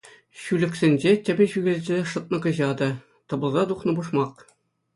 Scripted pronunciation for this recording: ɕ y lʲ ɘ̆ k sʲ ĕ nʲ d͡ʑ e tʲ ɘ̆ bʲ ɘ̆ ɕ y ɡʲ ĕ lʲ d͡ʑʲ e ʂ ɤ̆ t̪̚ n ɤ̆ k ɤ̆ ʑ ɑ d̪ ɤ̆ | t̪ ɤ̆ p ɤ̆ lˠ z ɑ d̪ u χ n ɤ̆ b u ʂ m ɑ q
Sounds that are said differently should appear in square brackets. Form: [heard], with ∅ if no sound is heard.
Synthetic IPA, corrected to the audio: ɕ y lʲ ɘ̆ k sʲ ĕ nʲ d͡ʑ e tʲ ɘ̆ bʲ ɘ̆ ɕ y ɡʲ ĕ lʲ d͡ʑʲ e ʂ ɤ̆ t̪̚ n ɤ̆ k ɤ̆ ʑ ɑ d̪ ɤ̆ | t̪ ɤ̆ [b] ɤ̆ lˠ z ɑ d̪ u χ n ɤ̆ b u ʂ m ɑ q